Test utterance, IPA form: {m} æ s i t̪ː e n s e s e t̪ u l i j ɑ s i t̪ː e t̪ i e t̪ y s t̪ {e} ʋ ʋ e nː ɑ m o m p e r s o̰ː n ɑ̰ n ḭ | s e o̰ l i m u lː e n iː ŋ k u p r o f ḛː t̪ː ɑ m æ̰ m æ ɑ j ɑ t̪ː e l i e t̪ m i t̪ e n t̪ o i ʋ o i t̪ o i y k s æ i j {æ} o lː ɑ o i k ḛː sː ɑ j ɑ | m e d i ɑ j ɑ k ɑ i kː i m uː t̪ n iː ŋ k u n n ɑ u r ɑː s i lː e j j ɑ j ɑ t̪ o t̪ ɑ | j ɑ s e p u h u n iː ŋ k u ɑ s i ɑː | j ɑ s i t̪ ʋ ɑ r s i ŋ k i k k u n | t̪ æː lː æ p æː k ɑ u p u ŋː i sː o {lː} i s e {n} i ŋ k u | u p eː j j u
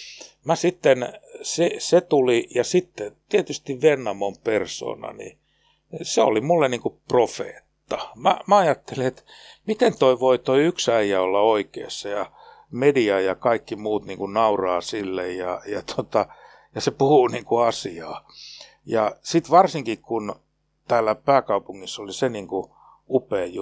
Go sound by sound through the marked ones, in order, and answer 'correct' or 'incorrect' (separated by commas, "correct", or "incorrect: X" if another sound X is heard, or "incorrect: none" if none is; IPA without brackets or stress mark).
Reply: correct, incorrect: i, correct, incorrect: l, correct